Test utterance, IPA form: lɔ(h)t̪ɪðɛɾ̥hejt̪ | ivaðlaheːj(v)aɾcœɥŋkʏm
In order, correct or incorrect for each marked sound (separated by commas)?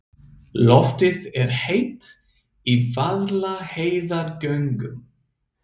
incorrect, incorrect